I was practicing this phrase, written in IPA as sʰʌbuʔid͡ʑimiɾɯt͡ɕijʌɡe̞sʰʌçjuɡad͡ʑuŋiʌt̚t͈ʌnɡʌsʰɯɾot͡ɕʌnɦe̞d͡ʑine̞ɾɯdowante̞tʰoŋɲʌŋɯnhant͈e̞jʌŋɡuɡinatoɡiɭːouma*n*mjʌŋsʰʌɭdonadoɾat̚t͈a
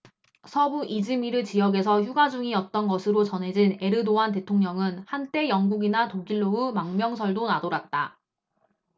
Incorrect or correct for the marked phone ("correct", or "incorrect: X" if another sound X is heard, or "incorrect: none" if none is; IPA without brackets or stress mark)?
incorrect: ŋ